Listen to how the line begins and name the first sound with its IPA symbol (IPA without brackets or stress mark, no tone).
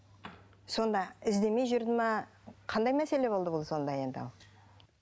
s